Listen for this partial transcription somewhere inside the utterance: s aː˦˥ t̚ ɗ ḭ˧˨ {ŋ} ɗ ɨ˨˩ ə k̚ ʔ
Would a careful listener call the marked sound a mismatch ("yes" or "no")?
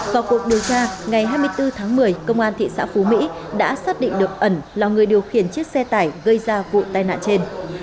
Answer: no